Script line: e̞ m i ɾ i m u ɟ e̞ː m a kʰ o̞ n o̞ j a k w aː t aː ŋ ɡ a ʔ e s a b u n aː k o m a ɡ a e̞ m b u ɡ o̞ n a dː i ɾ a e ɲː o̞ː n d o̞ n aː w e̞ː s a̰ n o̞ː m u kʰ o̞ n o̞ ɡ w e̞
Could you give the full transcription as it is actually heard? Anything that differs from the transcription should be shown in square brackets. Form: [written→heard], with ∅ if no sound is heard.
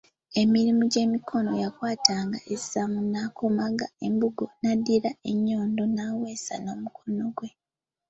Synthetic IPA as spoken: e̞ m i ɾ i m u ɟ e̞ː m [a→i] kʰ o̞ n o̞ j a k w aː t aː ŋ ɡ a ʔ e s a [b→m] u n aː k o m a ɡ a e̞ m b u ɡ o̞ n a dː i ɾ a e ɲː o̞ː n d o̞ n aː w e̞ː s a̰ n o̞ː m u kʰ o̞ n o̞ ɡ w e̞